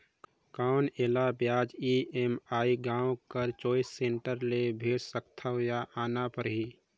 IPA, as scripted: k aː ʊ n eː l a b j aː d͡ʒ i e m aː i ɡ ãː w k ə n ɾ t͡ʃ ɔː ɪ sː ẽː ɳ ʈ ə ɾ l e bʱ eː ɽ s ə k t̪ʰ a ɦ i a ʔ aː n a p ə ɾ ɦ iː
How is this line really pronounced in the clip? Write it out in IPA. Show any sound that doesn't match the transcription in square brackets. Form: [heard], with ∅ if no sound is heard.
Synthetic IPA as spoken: k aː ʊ n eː l a b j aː d͡ʒ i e m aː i ɡ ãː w k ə [∅] ɾ t͡ʃ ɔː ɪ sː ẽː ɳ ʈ ə ɾ l e bʱ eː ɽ s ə k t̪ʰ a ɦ [j] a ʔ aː n a p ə ɾ ɦ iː